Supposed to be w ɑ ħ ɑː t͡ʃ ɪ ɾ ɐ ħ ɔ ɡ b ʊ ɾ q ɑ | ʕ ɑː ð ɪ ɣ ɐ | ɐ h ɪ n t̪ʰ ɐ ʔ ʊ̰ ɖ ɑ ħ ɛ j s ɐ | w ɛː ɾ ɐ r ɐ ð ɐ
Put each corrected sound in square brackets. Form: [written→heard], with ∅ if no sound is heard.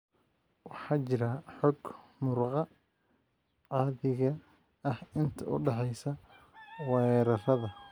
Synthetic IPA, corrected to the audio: w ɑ ħ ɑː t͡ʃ ɪ ɾ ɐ ħ ɔ ɡ [b→m] ʊ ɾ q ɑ | ʕ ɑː ð ɪ ɣ ɐ | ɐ h ɪ n t̪ʰ ɐ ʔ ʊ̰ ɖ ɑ ħ ɛ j s ɐ | w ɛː ɾ ɐ r ɐ ð ɐ